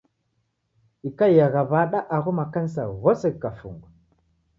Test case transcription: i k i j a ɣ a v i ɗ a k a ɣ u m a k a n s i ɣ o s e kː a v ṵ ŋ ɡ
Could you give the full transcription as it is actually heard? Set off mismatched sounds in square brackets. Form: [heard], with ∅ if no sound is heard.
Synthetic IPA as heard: i k [a] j a ɣ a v [a] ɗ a [ʔ] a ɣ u m a k a n s [a] ɣ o s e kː a [f] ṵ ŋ ɡ